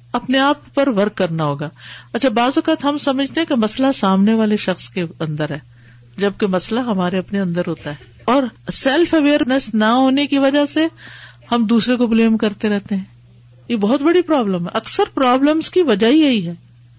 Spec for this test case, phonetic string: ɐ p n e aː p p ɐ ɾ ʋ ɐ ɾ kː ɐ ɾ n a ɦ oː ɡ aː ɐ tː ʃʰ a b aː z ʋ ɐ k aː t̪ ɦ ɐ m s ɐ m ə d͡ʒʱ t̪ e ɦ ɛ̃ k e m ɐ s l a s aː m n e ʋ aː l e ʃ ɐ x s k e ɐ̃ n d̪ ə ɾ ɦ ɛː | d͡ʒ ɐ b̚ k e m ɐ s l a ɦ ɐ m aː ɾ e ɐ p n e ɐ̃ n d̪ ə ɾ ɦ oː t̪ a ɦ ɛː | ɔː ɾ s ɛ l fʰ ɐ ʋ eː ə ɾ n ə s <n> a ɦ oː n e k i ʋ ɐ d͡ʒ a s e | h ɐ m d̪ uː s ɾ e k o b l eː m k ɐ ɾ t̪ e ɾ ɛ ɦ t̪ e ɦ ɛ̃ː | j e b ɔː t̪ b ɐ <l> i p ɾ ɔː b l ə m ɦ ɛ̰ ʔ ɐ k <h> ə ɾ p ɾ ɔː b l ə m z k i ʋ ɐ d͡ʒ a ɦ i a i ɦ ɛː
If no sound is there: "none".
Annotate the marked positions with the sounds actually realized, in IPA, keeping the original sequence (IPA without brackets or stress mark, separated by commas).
n, ɽ, s